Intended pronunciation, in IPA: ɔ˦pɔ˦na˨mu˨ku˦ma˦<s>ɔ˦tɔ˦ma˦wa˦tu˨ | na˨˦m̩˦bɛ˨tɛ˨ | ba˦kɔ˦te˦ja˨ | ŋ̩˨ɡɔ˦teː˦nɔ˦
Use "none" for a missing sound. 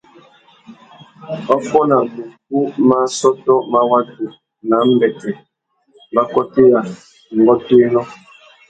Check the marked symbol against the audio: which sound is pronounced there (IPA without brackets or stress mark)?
s